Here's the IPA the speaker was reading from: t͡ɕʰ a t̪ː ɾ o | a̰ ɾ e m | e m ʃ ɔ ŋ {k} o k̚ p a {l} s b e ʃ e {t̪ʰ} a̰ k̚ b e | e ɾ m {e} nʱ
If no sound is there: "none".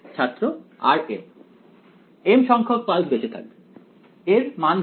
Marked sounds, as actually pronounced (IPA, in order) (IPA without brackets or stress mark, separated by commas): kʰ, l, t̪ʰ, a